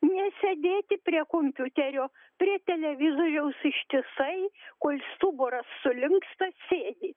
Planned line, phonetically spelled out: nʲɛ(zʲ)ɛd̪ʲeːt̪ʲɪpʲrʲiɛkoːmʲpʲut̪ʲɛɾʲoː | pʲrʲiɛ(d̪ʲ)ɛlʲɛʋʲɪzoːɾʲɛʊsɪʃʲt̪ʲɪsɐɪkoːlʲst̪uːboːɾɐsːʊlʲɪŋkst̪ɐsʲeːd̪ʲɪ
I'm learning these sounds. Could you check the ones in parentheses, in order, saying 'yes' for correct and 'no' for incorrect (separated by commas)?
no, no